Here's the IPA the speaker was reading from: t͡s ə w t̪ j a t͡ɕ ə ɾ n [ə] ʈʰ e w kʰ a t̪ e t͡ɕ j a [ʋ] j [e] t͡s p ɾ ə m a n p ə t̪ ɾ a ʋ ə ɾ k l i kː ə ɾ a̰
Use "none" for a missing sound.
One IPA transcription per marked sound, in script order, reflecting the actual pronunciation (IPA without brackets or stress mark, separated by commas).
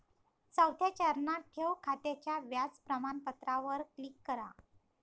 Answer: a, ʋ, a